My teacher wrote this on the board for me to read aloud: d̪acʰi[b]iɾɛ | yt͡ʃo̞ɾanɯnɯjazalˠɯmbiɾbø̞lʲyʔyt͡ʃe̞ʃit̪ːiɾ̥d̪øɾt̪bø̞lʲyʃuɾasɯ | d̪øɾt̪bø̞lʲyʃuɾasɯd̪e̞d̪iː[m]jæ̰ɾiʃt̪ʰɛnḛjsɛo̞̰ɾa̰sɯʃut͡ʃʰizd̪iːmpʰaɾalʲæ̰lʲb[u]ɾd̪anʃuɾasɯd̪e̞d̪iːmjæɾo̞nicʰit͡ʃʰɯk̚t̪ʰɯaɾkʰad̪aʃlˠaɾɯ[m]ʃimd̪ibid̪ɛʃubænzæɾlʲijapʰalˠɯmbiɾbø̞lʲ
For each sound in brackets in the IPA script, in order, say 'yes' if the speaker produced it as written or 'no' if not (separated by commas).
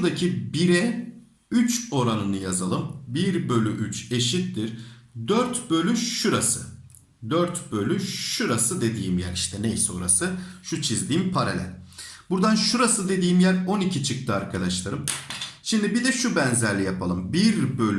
yes, yes, yes, yes